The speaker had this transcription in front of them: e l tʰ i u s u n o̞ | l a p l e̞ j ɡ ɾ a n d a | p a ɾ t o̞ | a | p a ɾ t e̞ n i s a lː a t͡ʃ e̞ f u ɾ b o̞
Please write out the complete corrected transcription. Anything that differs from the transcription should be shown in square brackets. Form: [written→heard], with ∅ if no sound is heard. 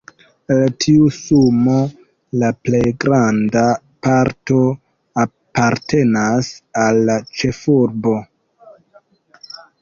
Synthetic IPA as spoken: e l tʰ i u s u [n→m] o̞ | l a p l e̞ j ɡ ɾ a n d a | p a ɾ t o̞ | a | p a ɾ t e̞ n [i→a] s a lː a t͡ʃ e̞ f u ɾ b o̞